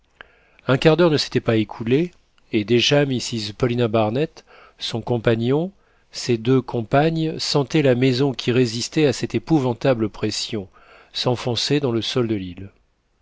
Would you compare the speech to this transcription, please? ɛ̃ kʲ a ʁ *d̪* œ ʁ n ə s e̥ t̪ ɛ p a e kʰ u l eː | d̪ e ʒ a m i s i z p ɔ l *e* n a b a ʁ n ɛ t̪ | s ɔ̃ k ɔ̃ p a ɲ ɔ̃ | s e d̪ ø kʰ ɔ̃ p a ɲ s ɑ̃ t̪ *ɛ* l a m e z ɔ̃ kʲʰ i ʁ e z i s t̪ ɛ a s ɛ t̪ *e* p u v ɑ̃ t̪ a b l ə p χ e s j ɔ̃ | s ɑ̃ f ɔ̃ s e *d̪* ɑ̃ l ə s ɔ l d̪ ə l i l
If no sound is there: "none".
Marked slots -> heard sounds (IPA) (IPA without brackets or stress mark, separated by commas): d̪, i, ɛ, e, d̪